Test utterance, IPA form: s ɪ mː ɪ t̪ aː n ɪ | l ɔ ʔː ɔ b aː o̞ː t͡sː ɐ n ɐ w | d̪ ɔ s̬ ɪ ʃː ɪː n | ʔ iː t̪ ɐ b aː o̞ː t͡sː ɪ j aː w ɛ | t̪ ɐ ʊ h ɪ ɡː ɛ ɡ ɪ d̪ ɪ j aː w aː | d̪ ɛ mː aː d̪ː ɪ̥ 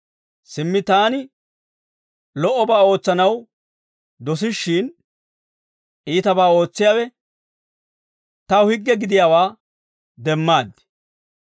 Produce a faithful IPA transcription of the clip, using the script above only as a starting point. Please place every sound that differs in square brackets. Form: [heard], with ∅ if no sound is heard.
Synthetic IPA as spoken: s ɪ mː ɪ t̪ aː n ɪ | l ɔ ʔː ɔ b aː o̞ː t͡sː ɐ n ɐ w | d̪ ɔ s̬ ɪ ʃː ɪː n | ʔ iː t̪ ɐ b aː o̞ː t͡sː ɪ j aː w ɛ | t̪ ɐ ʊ h ɪ ɡː ɛ ɡ ɪ d̪ ɪ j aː w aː | d̪ ɛ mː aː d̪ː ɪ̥